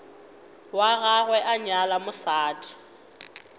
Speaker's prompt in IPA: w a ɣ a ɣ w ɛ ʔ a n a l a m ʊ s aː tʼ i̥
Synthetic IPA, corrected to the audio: w a ɣ a ɣ w ɛ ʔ a ɲ a l a m ʊ s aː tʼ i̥